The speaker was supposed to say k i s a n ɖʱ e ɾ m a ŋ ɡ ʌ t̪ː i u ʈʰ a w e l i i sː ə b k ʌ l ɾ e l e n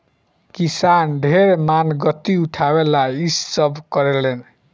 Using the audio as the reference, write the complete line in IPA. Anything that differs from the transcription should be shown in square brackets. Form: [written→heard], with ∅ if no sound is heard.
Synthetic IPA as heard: k i s a n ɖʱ e ɾ m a [ŋ→n] ɡ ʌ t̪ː i u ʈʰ a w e l [i→a] i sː [ə→ʌ] b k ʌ [l→∅] ɾ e l e n

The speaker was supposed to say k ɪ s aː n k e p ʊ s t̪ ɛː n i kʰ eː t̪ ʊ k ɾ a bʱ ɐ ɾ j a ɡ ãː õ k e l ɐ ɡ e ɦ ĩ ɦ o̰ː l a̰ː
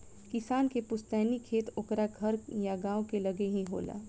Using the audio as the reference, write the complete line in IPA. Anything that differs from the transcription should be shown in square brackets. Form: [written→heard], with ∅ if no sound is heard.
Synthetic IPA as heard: k ɪ s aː n k e p ʊ s t̪ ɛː n i kʰ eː t̪ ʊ k ɾ a [bʱ→ɡʱ] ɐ ɾ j a ɡ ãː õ k e l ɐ ɡ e ɦ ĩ ɦ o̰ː l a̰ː

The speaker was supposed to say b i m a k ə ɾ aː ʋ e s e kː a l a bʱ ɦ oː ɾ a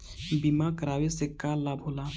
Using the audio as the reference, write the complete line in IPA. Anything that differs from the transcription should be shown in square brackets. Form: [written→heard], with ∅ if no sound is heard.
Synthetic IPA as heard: b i m a k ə ɾ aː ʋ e s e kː a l a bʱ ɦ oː [ɾ→l] a

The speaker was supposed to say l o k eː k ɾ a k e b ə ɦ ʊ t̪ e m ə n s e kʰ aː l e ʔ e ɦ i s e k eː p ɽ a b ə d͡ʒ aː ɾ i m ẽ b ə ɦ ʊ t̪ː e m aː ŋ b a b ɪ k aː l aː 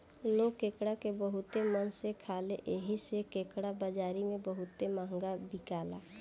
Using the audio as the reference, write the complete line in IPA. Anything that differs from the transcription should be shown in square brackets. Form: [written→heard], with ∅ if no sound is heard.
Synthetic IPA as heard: l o k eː k [ɾ→ɽ] a k e b ə ɦ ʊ t̪ e m ə n s e kʰ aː l e ʔ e ɦ i s e k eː [p→k] ɽ a b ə d͡ʒ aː ɾ i m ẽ b ə ɦ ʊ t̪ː e m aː ŋ [b→ɡ] a b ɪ k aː l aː

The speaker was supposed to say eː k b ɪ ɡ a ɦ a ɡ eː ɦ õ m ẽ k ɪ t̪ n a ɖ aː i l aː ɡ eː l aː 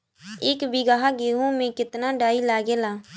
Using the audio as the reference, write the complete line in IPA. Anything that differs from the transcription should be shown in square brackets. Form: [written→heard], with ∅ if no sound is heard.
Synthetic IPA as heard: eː k b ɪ ɡ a ɦ a ɡ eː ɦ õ m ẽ k ɪ t̪ n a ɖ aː i l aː ɡ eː l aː

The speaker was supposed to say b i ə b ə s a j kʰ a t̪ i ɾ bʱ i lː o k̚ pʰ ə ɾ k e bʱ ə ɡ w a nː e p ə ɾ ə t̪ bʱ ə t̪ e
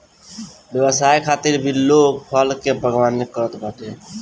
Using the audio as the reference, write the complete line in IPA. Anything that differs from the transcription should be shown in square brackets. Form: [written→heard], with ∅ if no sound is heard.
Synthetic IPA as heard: b [i→j] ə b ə s a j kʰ a t̪ i ɾ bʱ i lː o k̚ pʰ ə [ɾ→l] k e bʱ ə ɡ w a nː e [p→k] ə ɾ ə t̪ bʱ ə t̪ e

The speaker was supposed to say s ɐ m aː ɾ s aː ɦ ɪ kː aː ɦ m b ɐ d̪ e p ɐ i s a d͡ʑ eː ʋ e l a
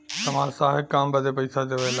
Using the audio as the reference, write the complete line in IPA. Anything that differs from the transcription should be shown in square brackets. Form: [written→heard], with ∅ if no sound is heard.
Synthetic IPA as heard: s ɐ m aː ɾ s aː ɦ ɪ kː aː [ɦ→∅] m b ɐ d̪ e p ɐ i s a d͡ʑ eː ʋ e l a

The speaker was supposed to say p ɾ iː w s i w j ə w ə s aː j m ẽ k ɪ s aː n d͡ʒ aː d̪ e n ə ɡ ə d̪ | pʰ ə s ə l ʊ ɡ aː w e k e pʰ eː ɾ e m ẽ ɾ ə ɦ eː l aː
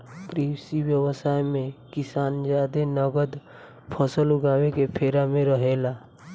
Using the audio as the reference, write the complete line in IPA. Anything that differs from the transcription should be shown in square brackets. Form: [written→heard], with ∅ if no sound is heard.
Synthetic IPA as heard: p ɾ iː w s i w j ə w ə s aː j m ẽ k ɪ s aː n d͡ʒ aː d̪ e n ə ɡ ə d̪ | pʰ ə s ə l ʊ ɡ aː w e k e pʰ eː ɾ [e→a] m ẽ ɾ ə ɦ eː l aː

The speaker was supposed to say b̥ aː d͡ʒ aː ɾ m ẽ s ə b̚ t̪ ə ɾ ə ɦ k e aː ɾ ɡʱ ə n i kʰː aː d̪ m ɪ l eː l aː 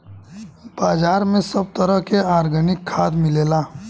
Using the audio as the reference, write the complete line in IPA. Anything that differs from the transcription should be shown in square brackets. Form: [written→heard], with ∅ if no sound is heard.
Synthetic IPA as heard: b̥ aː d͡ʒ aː ɾ m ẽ s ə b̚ t̪ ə ɾ ə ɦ k e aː ɾ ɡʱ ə n [i→ɪ] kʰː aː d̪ m ɪ l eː l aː

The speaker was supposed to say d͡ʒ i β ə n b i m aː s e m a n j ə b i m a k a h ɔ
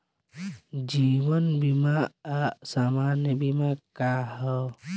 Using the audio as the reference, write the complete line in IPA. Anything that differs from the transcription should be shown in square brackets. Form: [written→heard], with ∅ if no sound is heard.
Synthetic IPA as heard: d͡ʒ i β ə n b i m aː s [e→a] m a n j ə b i m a k a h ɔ

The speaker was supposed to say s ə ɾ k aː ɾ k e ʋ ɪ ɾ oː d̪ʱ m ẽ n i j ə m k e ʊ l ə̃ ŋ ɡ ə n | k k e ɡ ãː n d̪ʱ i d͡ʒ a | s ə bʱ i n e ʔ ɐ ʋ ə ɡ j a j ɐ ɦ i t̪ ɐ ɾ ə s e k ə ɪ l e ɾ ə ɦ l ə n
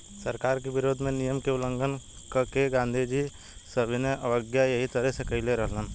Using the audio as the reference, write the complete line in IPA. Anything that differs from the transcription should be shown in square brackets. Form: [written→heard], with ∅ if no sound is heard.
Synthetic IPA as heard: s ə ɾ k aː ɾ k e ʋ ɪ ɾ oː d̪ʱ m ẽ n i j ə m k e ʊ l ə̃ ŋ ɡ ə n | k k e ɡ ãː n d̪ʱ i d͡ʒ [a→i] | s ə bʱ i n e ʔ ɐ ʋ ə ɡ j a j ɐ ɦ i t̪ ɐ ɾ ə s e k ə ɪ l e ɾ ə ɦ l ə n

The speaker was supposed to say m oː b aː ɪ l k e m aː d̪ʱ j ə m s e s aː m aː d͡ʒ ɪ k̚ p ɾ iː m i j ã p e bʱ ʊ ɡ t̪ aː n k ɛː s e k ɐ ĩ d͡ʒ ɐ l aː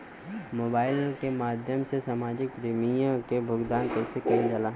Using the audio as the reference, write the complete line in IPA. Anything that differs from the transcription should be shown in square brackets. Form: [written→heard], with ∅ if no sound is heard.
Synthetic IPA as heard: m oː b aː ɪ l k e m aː d̪ʱ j ə m s e s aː m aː d͡ʒ ɪ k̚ p ɾ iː m i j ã [p→k] e bʱ ʊ ɡ [t̪→d̪] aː n k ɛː s e k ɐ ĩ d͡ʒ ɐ l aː

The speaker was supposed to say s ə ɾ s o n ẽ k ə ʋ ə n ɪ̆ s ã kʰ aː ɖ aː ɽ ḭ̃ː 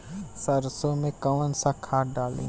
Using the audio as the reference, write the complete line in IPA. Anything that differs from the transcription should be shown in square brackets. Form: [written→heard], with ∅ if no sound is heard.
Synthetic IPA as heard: s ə ɾ s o [n→m] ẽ k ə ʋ ə n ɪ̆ s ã kʰ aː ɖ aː [ɽ→l] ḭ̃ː

